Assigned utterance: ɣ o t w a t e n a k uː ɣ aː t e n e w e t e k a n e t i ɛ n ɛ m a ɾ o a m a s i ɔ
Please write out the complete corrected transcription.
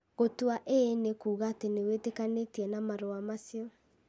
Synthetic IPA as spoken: ɣ o t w a ʔ e n e k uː ɣ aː t e n e w e t e k a n e t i ɛ n a m a ɾ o a m a s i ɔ